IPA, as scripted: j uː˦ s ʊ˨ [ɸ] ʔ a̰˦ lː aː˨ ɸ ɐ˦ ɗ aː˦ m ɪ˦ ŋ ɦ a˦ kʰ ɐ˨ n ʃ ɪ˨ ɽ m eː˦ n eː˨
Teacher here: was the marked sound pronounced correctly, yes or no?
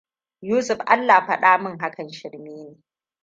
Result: yes